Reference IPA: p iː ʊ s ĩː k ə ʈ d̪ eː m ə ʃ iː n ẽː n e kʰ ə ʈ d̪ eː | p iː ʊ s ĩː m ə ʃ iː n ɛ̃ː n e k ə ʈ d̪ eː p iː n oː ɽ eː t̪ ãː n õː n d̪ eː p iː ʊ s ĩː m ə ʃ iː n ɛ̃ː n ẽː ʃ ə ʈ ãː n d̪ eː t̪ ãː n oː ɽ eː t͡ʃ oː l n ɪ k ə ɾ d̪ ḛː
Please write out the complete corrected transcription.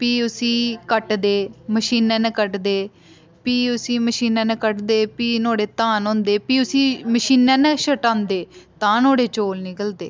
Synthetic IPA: p iː ʊ s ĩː k ə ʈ d̪ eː m ə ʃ iː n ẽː n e k ə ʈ d̪ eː | p iː ʊ s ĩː m ə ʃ iː n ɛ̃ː n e k ə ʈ d̪ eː p iː n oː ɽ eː t̪ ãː n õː n d̪ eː p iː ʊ s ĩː m ə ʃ iː n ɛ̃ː n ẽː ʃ ə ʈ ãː n d̪ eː t̪ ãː n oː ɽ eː t͡ʃ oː l n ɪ k ə l d̪ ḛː